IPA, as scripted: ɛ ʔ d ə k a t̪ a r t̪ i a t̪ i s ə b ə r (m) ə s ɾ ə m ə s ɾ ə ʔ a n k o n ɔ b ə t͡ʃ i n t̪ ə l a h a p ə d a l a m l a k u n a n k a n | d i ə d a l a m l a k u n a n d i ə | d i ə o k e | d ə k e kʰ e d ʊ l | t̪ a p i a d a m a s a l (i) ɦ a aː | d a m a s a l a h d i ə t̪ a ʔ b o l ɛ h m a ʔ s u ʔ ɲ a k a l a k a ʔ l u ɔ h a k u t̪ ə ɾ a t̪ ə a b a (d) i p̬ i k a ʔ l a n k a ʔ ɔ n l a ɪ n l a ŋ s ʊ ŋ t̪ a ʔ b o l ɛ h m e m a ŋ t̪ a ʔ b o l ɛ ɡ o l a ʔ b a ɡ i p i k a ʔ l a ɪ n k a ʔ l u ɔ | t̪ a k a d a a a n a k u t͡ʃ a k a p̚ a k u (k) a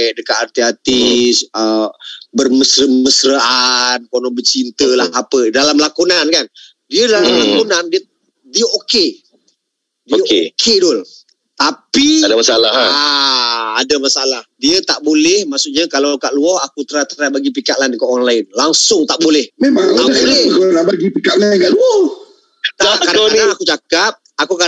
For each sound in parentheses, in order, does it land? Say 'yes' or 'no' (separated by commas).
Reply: yes, no, no, yes